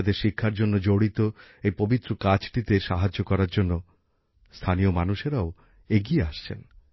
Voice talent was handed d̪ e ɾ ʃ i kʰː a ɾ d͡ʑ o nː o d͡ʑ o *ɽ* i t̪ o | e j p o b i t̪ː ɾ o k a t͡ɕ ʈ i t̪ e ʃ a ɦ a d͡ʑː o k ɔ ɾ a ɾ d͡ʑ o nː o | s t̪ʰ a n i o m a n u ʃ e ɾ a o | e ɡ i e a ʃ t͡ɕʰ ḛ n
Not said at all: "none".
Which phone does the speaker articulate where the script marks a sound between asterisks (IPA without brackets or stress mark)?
ɽ